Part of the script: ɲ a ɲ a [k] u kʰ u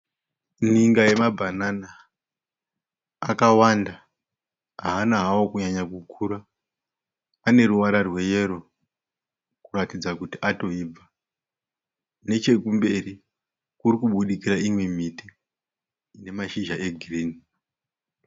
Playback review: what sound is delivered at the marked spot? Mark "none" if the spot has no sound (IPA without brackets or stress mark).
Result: k